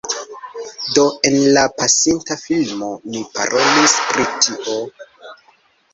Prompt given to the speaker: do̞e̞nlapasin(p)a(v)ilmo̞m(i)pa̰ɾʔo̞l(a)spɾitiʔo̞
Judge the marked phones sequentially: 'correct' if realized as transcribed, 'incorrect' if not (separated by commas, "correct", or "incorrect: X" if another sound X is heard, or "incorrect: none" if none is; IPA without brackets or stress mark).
incorrect: t, incorrect: f, correct, incorrect: i